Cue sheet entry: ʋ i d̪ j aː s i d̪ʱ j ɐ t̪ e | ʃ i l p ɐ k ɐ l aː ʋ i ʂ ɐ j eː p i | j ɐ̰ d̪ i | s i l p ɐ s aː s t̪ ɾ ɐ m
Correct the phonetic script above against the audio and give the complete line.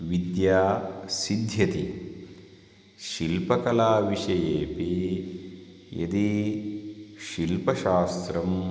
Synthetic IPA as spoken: ʋ i d̪ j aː s i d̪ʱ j ɐ t̪ i | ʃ i l p ɐ k ɐ l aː ʋ i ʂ ɐ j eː p i | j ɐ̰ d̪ i | ʃ i l p ɐ ʃ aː s t̪ ɾ ɐ m